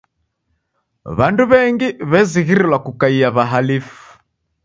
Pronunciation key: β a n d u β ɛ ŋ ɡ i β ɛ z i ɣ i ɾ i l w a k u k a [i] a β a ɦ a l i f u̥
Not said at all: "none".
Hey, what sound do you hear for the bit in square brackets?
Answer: i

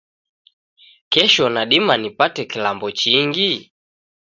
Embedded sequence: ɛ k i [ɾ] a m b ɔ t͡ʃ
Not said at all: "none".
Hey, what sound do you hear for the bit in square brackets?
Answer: l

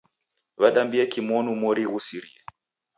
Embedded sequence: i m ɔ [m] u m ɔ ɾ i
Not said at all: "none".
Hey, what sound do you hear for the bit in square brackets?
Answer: n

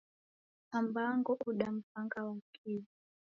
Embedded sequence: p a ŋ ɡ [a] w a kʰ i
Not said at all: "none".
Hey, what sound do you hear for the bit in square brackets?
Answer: a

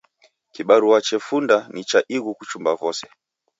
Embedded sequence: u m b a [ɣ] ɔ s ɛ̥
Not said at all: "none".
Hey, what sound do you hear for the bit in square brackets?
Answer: v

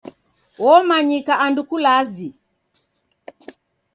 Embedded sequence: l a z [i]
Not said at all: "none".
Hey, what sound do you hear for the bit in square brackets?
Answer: i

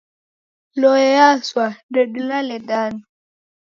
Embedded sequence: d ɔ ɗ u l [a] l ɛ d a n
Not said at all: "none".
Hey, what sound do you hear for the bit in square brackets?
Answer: a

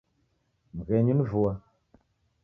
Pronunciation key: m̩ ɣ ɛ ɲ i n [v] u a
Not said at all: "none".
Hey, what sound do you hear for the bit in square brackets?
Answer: v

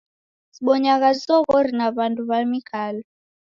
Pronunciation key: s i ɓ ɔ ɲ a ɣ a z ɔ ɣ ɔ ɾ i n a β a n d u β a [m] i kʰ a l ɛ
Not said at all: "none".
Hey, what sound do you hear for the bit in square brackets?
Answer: m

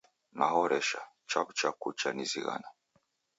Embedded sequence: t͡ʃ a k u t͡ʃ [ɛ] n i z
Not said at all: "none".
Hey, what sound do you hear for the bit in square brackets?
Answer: a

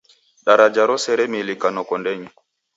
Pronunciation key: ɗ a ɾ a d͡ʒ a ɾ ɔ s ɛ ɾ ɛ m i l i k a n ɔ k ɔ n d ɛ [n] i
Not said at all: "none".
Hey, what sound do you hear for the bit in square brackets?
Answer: ɲ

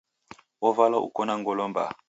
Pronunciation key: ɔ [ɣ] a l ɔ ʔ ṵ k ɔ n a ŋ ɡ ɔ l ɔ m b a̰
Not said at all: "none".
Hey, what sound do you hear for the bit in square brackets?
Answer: v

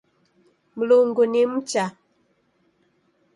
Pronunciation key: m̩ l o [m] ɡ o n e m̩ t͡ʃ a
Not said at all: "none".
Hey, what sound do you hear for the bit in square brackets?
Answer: ŋ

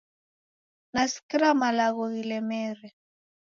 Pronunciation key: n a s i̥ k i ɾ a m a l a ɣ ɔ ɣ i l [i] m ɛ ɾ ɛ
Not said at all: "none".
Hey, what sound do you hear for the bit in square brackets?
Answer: ɛ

